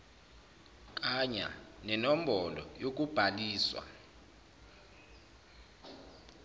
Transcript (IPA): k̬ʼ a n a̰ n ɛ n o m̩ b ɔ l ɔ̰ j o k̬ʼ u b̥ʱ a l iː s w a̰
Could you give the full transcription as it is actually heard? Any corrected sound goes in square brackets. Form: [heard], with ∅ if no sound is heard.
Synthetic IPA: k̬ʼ a [ɲ] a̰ n ɛ n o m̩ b ɔ l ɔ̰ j o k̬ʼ u b̥ʱ a l iː s w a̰